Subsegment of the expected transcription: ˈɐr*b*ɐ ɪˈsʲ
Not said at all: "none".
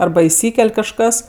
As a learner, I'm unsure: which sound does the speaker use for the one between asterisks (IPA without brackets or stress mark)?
b